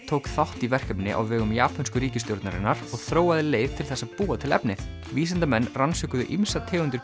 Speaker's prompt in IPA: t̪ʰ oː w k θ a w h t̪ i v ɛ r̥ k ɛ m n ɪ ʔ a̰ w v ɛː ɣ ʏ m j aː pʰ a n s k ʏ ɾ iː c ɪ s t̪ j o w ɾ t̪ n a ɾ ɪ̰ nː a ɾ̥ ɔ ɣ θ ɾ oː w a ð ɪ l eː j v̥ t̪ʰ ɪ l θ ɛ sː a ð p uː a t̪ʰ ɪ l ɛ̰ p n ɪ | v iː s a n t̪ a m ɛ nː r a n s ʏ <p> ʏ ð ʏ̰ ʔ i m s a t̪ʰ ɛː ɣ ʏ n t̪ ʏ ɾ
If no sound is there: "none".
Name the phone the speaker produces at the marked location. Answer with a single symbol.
k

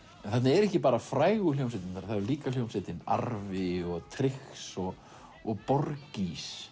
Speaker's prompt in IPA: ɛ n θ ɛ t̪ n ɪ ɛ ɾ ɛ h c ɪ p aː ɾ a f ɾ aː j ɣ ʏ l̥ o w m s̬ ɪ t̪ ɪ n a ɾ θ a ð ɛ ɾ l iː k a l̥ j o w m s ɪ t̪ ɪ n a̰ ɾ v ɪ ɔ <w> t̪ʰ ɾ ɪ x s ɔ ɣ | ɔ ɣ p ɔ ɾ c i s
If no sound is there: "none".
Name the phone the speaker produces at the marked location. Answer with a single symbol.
ɣ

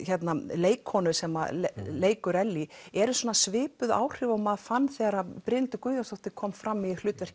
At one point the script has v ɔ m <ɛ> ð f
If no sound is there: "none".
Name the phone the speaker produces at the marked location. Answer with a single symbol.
a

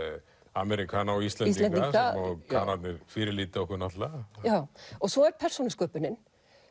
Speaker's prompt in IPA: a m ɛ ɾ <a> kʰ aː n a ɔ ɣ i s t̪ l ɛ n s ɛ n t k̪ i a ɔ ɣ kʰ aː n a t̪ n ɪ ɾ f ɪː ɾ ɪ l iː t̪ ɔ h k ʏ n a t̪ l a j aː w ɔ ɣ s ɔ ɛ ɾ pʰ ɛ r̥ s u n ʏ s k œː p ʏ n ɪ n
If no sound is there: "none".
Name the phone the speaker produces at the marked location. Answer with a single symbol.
i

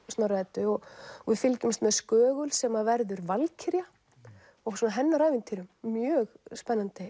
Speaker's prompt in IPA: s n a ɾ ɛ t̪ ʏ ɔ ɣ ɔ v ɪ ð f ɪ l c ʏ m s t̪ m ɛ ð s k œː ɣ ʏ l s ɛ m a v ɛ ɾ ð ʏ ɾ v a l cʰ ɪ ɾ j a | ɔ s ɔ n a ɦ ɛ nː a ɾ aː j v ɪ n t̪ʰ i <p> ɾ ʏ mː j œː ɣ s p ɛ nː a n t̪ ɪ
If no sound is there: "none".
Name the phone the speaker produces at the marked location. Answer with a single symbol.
none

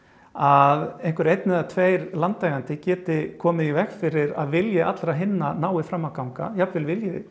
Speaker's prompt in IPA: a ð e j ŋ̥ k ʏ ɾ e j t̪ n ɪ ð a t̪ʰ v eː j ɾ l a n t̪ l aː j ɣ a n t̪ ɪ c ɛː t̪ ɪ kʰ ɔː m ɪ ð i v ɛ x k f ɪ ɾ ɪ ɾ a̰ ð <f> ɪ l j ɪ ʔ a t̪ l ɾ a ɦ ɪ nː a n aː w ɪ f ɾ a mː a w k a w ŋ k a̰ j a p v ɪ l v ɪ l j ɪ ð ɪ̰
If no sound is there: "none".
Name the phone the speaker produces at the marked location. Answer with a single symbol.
v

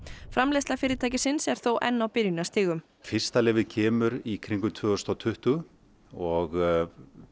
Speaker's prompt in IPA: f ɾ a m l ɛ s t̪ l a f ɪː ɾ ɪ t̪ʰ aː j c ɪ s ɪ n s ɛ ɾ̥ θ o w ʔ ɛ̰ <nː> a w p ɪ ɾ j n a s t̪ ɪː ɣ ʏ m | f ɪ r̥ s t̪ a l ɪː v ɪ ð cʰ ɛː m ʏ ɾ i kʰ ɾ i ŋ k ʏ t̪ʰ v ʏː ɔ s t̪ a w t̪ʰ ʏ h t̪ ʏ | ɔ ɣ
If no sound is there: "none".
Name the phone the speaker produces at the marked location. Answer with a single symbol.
nː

